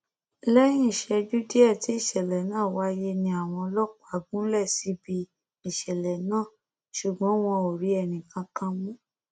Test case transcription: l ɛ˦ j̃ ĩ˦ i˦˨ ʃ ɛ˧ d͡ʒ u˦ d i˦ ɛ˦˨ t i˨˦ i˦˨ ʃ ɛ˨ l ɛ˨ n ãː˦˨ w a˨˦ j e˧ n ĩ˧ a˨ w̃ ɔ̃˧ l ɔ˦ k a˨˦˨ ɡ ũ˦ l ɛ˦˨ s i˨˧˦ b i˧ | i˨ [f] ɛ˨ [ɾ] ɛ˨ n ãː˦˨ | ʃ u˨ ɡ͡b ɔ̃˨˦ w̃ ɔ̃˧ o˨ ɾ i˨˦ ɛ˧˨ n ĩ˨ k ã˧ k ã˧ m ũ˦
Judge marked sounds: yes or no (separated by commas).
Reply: no, no